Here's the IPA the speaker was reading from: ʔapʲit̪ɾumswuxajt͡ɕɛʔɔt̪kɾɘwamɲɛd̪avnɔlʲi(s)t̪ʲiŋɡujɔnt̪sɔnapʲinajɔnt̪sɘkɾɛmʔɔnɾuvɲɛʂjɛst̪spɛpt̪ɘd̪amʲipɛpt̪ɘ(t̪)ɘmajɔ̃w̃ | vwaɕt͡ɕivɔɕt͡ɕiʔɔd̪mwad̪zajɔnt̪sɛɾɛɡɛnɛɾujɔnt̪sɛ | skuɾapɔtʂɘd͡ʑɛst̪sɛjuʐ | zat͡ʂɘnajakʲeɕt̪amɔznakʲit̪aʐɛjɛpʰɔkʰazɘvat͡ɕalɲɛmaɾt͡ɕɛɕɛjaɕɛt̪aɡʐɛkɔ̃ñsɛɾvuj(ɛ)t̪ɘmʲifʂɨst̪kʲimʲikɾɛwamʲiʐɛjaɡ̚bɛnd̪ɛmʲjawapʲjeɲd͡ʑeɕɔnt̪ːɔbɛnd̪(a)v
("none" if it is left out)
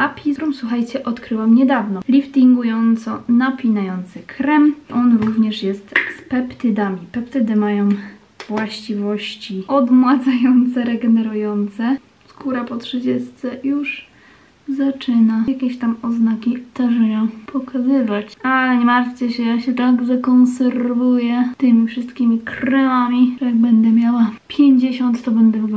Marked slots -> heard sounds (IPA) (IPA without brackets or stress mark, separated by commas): f, d̪, ɛ, ɛ